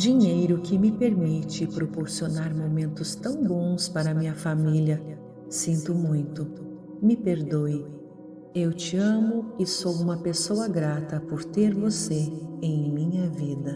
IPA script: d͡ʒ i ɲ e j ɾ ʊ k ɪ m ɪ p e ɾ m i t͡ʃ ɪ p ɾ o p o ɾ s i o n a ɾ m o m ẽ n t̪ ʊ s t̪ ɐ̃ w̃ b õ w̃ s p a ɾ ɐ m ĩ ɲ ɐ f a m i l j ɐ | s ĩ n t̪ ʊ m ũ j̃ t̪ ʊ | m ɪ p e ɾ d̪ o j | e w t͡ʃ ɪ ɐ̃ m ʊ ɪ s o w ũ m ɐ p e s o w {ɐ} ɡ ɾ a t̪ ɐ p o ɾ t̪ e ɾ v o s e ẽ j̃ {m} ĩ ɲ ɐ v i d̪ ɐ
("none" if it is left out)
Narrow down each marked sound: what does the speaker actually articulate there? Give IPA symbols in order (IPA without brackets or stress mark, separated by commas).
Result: ɐ, m